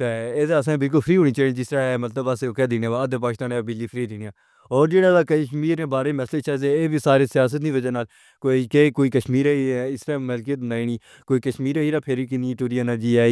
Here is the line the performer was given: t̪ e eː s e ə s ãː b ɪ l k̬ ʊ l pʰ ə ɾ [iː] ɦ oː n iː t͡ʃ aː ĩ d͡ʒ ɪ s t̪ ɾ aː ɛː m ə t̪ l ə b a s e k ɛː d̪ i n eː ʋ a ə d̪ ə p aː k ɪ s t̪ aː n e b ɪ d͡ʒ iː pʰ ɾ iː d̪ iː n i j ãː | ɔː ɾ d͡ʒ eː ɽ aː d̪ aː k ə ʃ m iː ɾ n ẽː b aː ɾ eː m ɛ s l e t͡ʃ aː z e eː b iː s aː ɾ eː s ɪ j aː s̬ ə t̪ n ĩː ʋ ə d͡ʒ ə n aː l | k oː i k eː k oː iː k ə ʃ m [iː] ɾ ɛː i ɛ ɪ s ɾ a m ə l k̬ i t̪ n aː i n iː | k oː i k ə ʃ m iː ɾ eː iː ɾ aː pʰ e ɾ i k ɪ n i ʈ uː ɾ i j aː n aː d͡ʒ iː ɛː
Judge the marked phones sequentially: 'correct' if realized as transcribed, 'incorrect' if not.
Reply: correct, correct

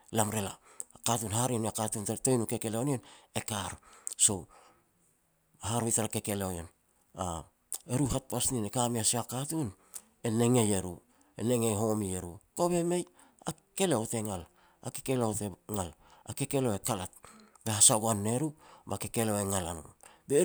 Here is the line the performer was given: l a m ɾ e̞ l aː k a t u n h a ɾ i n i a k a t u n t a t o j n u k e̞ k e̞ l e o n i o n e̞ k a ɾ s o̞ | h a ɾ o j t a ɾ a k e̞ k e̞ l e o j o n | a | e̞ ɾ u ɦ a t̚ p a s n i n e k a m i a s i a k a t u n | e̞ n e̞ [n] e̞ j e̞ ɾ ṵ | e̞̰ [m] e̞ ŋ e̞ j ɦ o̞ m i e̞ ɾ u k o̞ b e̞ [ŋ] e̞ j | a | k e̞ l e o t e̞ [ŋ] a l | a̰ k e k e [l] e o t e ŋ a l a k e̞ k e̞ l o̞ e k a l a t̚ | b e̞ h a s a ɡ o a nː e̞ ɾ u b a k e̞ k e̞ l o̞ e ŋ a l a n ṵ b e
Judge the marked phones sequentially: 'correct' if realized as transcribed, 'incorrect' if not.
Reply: incorrect: ŋ, incorrect: n, incorrect: m, correct, correct

